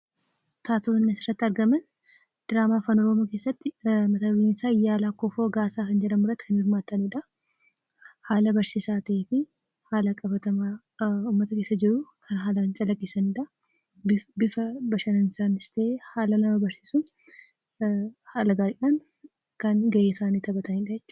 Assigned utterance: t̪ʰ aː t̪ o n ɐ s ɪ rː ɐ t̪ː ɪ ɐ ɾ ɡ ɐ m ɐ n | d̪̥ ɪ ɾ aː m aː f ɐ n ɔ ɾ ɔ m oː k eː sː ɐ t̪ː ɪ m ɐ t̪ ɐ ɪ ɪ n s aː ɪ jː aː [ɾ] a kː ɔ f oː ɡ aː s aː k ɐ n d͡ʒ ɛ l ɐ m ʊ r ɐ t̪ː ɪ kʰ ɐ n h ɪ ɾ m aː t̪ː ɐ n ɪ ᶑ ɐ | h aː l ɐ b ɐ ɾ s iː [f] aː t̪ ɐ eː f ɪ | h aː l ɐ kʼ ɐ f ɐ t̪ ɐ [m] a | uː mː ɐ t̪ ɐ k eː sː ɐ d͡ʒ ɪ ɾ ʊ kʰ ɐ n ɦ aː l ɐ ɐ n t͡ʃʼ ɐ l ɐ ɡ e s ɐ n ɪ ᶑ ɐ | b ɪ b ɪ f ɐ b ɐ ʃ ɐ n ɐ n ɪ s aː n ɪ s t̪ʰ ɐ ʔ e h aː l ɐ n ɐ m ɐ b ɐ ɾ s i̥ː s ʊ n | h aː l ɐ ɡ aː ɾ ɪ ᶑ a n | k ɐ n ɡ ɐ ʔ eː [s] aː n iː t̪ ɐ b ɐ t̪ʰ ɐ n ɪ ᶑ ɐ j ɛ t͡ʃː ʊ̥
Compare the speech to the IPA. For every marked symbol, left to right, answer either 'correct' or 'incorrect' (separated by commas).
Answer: incorrect, incorrect, correct, correct